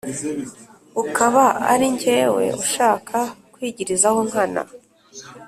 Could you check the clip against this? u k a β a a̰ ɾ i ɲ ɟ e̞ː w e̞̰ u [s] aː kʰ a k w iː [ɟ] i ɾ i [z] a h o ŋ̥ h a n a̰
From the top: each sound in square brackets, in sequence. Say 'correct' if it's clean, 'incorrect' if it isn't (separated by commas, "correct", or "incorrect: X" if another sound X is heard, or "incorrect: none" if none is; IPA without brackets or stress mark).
incorrect: ʃ, correct, correct